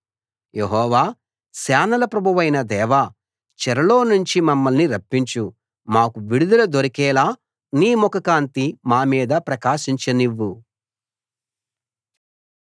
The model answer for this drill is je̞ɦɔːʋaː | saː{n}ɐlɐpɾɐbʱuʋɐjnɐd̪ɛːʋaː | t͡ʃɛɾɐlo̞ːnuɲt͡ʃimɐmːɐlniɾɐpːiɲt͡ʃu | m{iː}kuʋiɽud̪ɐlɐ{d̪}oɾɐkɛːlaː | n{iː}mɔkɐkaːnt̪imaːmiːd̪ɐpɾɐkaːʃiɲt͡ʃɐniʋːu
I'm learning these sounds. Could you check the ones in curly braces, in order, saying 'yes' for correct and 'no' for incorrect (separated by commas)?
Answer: yes, no, yes, yes